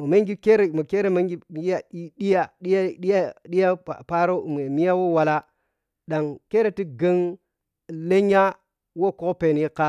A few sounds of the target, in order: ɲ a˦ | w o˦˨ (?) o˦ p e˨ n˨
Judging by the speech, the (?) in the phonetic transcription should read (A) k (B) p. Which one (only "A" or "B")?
A